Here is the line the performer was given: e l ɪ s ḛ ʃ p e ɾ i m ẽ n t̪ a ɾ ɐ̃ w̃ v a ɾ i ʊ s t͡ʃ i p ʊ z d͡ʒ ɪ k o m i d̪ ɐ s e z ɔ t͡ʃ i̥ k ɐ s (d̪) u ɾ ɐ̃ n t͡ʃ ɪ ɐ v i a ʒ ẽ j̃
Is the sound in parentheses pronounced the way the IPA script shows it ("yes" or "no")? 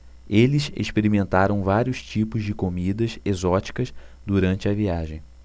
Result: yes